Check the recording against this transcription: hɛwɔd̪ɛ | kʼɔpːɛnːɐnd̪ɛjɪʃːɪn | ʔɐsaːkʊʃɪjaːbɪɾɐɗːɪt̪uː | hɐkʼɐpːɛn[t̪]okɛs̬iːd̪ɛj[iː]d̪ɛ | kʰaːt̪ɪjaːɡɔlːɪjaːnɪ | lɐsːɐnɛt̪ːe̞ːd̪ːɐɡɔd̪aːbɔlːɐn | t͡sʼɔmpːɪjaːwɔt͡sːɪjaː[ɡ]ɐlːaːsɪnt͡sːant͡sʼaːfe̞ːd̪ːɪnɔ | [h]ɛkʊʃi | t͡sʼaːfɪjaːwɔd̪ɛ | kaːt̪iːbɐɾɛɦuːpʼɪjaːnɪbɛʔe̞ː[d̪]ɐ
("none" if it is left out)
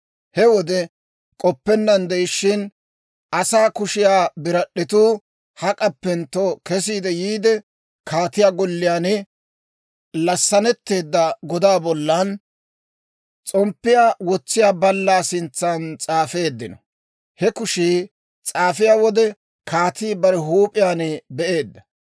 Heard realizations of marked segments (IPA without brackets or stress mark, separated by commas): t̪, iː, b, h, d̪ː